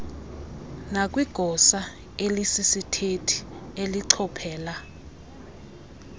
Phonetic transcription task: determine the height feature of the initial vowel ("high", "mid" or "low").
low